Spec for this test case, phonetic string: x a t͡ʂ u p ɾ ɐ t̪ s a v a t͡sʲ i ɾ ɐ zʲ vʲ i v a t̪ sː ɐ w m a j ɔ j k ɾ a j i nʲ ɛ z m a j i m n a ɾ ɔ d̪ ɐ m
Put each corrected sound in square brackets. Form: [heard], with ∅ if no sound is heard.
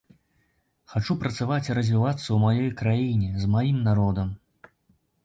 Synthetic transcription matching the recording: x a t͡ʂ u p ɾ ɐ t̪ s a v a t͡sʲ i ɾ ɐ zʲ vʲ i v a t̪ sː ɐ w m a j ɔ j k ɾ a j i nʲ ɛ z m a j i m n a ɾ ɔ d̪ ɐ m